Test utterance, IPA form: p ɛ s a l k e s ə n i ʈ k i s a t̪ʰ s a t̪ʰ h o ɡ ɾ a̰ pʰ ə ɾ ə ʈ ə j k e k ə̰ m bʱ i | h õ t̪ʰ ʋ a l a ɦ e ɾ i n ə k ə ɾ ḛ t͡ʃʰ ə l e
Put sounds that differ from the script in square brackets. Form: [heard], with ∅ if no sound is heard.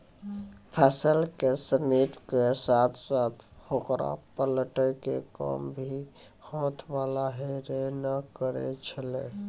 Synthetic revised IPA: [pʰ] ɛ s [ə] l k e s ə n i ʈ k [e] s a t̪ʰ s a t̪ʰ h o [k] ɾ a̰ [p] ə [l] ə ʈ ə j k e k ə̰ m bʱ i | h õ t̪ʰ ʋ a l a ɦ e ɾ [e] n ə k ə ɾ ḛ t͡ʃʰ ə l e